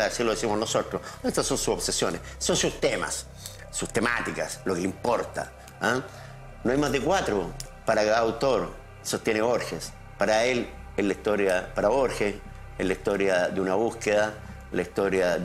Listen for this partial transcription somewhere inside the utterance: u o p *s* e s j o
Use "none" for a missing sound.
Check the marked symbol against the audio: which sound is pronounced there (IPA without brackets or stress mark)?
s